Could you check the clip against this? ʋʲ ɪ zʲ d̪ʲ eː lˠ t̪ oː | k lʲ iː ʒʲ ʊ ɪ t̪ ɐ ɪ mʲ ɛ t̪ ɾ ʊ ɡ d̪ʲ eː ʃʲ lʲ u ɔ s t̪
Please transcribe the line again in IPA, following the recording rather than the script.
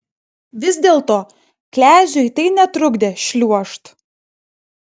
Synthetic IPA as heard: ʋʲ ɪ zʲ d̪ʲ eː lˠ t̪ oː | k lʲ æː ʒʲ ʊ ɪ t̪ ɐ ɪ nʲ ɛ t̪ ɾ ʊ ɡ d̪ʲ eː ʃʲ lʲ u ɔ ʃ t̪